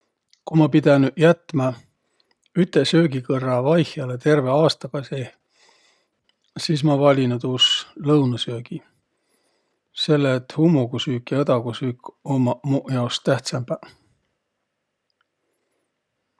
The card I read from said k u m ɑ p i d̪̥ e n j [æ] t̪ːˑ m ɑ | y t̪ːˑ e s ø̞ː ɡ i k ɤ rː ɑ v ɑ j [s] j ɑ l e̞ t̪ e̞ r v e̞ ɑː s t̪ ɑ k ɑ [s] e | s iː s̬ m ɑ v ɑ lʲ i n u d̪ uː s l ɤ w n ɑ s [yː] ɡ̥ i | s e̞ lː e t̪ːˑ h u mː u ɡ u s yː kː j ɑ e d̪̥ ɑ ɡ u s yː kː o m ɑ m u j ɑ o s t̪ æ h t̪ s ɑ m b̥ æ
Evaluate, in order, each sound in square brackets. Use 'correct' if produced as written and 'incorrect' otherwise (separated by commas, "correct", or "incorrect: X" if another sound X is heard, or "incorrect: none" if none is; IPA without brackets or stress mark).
correct, incorrect: h, correct, incorrect: øː